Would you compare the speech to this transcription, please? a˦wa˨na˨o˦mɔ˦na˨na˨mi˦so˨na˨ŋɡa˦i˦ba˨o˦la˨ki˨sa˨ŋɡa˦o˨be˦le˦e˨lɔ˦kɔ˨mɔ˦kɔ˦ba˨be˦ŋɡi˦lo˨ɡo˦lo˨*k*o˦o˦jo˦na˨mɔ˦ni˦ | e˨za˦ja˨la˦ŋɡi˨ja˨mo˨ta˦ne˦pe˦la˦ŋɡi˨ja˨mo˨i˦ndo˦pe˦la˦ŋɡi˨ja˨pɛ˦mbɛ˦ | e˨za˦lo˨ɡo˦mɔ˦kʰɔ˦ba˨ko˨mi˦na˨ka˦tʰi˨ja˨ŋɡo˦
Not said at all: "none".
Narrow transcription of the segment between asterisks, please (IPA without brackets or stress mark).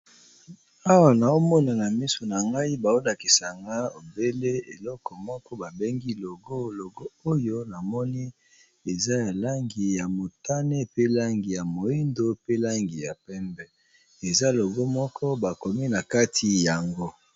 ɡ